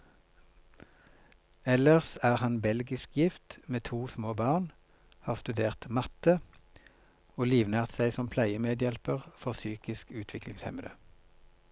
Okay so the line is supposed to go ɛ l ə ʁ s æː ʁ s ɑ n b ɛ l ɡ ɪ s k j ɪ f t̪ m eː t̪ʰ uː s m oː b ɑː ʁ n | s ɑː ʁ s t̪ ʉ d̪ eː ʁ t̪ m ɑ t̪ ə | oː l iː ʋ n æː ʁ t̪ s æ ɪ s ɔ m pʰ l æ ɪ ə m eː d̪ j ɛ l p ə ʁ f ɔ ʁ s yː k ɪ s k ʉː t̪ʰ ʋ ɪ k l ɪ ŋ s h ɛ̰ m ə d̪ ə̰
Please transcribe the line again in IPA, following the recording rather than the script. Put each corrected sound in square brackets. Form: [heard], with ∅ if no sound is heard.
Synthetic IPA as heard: ɛ l ə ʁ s æː ʁ [h] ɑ n b ɛ l ɡ ɪ s k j ɪ f t̪ m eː t̪ʰ uː s m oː b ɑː ʁ n | [h] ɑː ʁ s t̪ ʉ d̪ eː ʁ t̪ m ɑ t̪ ə | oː l iː ʋ n æː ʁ t̪ s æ ɪ s ɔ m pʰ l æ ɪ ə m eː d̪ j ɛ l p ə ʁ f ɔ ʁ s yː k ɪ s k ʉː t̪ʰ ʋ ɪ k l ɪ ŋ s h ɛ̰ m ə d̪ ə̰